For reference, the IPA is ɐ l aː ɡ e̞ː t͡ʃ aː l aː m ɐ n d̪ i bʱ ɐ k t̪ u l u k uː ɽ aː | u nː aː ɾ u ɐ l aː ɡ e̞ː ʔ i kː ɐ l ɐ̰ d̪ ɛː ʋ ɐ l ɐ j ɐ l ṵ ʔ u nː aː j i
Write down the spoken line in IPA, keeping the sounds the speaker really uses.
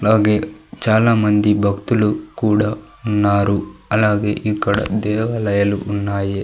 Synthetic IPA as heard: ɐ l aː ɡ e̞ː t͡ʃ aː l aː m ɐ n d̪ i bʱ ɐ k t̪ u l u k uː ɽ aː | u nː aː ɾ u ɐ l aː ɡ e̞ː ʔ i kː ɐ ɽ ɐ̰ d̪ ɛː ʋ ɐ l ɐ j ɐ l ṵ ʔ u nː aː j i